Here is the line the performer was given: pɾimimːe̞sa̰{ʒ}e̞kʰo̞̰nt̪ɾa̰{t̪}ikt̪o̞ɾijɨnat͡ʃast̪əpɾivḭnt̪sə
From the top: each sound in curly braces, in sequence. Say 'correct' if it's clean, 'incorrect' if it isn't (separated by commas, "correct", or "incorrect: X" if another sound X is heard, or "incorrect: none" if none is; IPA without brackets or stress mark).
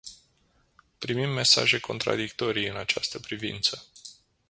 correct, incorrect: d̪